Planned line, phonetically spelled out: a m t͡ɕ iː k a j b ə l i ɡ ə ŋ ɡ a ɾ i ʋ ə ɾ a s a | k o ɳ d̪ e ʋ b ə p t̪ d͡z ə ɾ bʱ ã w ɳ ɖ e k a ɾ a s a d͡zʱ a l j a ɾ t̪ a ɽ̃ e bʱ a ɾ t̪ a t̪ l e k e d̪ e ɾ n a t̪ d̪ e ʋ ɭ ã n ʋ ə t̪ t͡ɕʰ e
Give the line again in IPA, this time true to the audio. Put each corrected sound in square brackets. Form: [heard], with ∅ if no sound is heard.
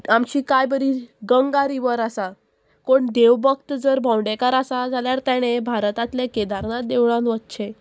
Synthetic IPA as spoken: a m t͡ɕ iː k a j b ə [ɾ] i ɡ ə ŋ ɡ a ɾ i ʋ ə ɾ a s a | k o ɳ d̪ e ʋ b ə [k] t̪ d͡z ə ɾ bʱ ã w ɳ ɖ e k a ɾ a s a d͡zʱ a l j a ɾ t̪ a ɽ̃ e bʱ a ɾ t̪ a t̪ l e k e d̪ [a] ɾ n a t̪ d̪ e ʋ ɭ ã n ʋ ə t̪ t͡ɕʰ e